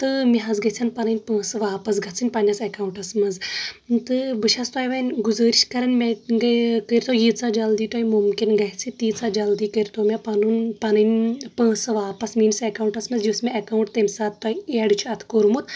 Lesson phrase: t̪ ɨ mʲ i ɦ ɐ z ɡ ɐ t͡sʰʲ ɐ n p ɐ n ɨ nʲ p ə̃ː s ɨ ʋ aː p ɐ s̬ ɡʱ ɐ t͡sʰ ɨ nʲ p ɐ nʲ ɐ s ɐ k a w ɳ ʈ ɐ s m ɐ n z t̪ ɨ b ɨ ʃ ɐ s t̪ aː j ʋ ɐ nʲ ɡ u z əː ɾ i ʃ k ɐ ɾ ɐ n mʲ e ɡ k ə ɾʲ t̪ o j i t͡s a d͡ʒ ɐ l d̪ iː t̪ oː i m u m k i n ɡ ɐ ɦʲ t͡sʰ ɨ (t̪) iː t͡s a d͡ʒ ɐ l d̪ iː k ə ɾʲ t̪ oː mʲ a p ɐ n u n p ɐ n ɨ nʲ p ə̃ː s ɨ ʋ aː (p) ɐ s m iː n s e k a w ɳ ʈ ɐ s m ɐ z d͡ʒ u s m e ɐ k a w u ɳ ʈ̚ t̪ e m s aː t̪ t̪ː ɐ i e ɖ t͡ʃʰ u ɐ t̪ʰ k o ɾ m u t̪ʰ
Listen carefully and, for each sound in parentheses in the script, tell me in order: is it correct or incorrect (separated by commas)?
correct, correct